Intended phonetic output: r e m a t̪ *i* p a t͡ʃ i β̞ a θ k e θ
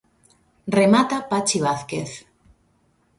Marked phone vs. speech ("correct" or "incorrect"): incorrect